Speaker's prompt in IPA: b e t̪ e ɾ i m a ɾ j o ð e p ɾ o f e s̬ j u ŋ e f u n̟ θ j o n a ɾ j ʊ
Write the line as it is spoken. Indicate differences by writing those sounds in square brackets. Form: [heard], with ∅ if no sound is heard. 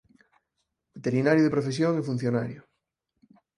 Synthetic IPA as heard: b e t̪ e ɾ i [n] a ɾ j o ð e p ɾ o f e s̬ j [o] ŋ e f u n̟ θ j o n a ɾ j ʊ